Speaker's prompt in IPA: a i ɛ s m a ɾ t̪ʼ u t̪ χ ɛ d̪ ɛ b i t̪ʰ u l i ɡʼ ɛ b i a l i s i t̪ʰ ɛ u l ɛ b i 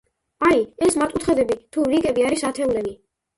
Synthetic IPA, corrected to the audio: a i ɛ s m a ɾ t̪ʼ u t̪ χ ɛ d̪ ɛ b i t̪ʰ u ɾ i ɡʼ ɛ b i a ɾ i s a t̪ʰ ɛ u l ɛ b i